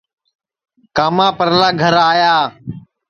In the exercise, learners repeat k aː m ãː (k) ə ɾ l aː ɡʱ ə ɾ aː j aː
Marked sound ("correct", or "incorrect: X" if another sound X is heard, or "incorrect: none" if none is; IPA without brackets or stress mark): incorrect: p